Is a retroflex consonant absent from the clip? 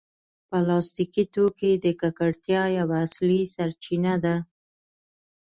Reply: no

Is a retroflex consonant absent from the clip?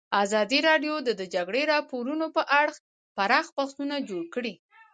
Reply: no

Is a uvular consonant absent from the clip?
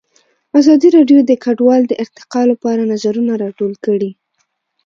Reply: no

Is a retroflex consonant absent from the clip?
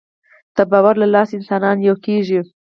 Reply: yes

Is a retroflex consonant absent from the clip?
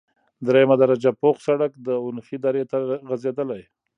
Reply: no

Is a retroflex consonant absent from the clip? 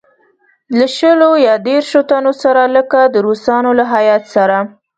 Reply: yes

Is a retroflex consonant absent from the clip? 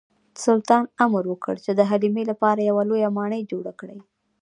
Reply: no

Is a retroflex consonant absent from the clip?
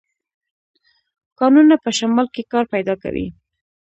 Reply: yes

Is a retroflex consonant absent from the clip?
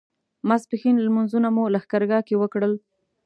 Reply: no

